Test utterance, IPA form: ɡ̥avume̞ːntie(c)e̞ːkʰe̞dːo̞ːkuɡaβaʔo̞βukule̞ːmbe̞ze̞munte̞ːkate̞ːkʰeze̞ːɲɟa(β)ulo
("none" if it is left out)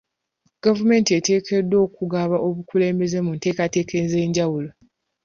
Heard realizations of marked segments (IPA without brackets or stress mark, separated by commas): t, w